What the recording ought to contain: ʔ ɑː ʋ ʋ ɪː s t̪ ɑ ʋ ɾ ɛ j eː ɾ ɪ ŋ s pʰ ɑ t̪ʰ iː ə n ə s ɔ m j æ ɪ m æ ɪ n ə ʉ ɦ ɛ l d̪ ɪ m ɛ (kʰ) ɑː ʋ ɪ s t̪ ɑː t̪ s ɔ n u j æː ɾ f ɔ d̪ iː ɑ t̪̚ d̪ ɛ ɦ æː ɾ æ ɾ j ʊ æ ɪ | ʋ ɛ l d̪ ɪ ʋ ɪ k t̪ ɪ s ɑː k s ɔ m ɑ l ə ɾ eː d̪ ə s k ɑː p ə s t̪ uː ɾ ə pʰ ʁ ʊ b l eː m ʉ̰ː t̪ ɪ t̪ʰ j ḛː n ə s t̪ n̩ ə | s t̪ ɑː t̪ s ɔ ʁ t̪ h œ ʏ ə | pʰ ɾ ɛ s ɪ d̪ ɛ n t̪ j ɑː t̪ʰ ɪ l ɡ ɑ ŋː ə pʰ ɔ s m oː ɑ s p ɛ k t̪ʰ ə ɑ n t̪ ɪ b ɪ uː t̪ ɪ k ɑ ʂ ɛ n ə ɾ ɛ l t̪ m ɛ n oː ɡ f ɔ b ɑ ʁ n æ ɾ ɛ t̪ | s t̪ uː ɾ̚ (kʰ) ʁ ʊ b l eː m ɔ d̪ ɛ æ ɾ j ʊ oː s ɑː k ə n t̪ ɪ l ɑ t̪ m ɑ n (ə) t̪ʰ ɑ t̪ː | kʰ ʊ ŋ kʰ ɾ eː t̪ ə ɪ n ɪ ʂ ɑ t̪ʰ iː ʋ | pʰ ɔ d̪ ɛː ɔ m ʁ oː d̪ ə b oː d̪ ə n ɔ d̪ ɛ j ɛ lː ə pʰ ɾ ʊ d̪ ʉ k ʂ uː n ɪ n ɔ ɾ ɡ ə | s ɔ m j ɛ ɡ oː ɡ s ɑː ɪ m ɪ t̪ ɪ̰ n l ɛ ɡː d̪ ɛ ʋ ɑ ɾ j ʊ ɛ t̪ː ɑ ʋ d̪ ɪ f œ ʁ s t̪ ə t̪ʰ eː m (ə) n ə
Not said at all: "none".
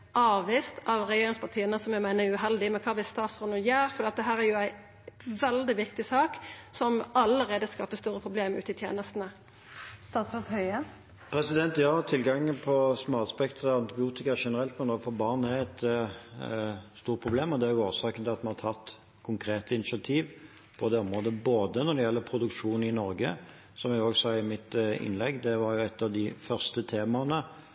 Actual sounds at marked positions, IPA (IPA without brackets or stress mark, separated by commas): kʰ, pʰ, ɑ, ɑ